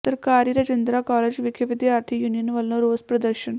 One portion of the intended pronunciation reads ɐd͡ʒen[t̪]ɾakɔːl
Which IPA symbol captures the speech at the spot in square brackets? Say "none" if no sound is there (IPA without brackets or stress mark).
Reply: d̪